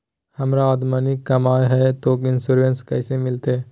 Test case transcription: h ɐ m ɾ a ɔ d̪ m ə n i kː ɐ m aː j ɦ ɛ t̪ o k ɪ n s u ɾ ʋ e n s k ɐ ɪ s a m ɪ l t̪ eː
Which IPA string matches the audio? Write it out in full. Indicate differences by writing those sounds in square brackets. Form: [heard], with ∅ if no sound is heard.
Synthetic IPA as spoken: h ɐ m ɾ a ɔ d̪ m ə n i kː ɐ m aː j ɦ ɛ t̪ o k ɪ n s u ɾ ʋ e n s k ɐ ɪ s [e] m ɪ l t̪ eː